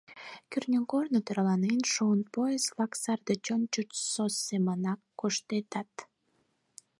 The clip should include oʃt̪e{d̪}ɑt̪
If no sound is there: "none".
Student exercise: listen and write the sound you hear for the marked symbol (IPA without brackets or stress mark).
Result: t̪